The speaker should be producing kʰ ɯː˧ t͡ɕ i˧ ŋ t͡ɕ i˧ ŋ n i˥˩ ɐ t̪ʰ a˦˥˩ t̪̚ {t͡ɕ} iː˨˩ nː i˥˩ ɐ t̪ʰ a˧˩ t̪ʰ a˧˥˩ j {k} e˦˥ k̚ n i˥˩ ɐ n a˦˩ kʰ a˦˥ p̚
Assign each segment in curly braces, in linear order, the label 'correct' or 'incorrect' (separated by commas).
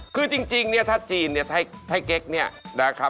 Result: correct, correct